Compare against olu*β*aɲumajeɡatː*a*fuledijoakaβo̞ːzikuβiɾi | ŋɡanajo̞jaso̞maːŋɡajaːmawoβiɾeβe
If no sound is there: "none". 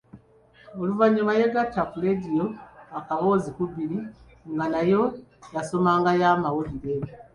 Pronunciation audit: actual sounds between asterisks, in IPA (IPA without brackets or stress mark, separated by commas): v, a